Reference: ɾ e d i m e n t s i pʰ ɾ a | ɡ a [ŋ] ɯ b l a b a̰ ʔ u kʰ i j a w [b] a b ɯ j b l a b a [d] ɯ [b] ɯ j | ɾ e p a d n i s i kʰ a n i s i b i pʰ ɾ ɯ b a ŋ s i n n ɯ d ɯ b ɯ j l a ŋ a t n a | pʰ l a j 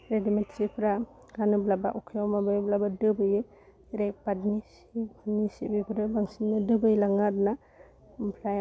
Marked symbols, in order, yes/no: no, no, yes, yes

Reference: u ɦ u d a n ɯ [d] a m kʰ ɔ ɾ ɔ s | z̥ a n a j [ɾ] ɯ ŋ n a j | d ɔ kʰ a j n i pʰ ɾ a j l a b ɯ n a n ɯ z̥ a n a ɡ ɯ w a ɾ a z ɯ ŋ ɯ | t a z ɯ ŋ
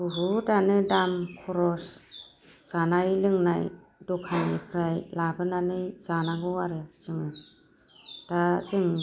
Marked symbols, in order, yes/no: yes, no

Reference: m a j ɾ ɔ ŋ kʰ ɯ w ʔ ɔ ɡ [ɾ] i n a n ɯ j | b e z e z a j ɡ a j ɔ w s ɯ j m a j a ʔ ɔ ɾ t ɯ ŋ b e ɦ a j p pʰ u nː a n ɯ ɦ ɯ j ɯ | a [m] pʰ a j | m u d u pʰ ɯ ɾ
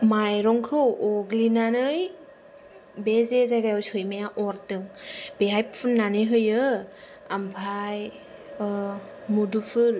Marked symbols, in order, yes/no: no, yes

